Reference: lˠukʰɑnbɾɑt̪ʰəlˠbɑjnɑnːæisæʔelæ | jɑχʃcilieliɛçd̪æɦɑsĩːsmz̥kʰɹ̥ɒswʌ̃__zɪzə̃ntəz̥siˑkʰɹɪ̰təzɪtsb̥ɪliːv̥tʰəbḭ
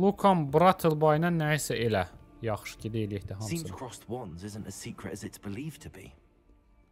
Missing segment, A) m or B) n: B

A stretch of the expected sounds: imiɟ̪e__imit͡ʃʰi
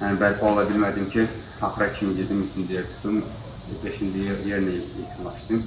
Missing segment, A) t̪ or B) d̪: B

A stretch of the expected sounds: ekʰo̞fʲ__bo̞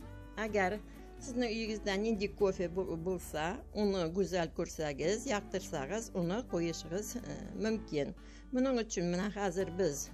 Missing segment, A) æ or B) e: B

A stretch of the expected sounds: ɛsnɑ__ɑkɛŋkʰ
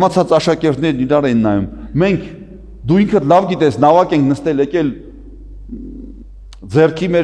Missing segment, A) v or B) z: A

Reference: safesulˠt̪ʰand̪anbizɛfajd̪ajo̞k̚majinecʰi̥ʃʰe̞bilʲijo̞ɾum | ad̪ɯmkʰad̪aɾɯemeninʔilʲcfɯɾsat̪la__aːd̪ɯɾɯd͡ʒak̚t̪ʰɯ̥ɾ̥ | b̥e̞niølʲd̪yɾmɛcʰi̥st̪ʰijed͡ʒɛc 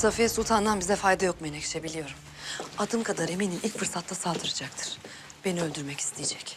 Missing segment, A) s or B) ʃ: A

